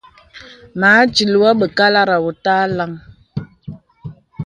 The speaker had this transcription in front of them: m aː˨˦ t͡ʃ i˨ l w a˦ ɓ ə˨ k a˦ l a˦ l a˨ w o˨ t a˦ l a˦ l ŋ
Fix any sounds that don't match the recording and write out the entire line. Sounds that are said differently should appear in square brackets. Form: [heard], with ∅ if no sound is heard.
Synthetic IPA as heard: m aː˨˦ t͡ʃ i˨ l w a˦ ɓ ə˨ k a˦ l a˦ [ɾ] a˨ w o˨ t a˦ l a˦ [∅] ŋ

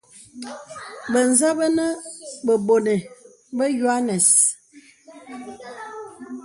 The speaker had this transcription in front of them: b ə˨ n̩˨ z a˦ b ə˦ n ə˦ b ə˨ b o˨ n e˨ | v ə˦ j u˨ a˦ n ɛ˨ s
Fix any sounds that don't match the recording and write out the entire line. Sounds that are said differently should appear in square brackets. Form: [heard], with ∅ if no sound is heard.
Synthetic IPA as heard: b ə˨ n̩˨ z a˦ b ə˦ n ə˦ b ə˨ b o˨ n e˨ | [b] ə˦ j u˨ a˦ n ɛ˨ s

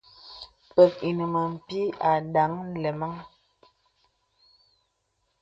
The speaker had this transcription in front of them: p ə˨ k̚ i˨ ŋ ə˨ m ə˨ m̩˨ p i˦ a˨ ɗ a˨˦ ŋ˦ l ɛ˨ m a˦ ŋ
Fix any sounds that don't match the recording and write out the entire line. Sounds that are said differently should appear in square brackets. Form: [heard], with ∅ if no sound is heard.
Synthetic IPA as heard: p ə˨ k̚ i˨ [n] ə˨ m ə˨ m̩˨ p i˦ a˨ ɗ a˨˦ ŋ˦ l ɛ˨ m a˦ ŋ

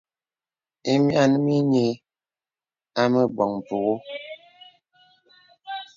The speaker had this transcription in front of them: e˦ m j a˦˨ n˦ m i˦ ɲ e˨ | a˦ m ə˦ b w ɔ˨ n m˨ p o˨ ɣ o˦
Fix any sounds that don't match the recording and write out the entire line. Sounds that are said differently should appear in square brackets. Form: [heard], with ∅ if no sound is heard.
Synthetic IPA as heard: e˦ m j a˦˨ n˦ m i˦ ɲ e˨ | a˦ m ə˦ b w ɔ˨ [ŋ] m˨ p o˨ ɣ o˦

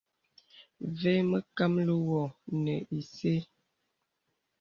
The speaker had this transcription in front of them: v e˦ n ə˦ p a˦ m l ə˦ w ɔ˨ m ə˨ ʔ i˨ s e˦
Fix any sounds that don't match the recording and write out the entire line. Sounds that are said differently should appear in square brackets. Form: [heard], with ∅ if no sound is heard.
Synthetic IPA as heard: v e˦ [m] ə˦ [k] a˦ m l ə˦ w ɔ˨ [n] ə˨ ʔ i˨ s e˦

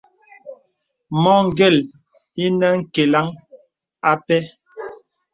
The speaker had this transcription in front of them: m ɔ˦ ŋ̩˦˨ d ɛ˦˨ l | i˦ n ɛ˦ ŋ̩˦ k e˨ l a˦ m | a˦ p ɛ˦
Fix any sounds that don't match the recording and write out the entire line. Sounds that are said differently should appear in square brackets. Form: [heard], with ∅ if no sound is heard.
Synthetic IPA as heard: m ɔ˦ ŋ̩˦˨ [ɡ] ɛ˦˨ l | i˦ n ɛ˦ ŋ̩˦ k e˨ l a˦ [ŋ] | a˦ p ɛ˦

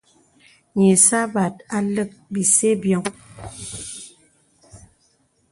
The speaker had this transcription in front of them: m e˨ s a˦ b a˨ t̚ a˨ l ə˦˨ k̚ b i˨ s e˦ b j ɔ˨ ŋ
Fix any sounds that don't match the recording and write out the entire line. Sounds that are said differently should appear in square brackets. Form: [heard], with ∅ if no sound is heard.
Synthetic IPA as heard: [ɲ] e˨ s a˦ b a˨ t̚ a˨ l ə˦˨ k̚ b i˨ s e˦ b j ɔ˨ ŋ

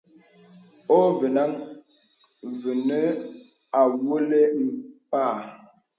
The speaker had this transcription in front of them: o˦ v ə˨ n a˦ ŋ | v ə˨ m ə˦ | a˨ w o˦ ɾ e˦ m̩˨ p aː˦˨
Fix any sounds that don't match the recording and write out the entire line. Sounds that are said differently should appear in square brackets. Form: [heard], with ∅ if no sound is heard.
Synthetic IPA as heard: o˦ v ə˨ n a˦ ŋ | v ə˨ [n] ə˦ | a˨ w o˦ [l] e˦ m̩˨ p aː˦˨

